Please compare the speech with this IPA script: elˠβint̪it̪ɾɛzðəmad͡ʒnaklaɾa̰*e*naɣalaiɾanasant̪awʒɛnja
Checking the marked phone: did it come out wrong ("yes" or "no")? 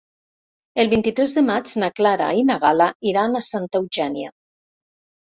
yes